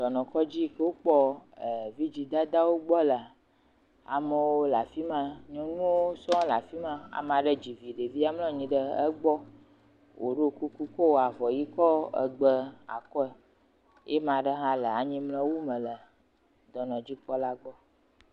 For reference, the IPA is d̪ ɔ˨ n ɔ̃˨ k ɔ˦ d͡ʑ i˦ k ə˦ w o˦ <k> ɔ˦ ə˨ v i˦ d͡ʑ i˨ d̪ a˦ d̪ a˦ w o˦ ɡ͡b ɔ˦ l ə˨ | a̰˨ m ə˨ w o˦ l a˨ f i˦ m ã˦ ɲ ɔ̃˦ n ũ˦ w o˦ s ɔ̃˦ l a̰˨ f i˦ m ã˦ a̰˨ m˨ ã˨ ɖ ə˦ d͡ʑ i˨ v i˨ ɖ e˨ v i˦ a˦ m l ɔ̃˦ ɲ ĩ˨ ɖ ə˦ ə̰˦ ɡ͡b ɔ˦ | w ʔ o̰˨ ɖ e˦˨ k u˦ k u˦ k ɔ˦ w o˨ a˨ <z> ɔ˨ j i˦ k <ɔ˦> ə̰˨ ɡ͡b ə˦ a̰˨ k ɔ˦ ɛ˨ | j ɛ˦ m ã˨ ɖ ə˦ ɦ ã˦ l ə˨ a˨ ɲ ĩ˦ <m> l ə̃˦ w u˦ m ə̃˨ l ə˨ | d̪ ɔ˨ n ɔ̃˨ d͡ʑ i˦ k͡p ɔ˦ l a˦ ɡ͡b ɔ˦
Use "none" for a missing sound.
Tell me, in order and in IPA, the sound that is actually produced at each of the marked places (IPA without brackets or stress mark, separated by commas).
k͡p, v, ɔ˦, m